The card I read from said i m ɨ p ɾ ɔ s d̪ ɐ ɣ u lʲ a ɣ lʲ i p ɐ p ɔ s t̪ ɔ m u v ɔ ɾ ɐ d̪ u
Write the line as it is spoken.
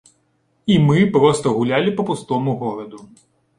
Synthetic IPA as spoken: i m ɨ p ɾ ɔ s t̪ ɐ ɣ u lʲ a lʲ i p ɐ p u s t̪ ɔ m u ɣ ɔ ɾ ɐ d̪ u